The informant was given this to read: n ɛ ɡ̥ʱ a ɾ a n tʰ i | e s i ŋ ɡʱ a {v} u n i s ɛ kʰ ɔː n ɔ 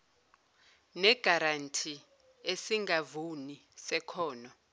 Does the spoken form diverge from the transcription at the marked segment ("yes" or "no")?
no